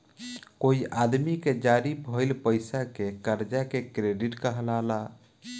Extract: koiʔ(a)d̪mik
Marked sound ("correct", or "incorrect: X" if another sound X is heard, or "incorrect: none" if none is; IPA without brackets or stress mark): correct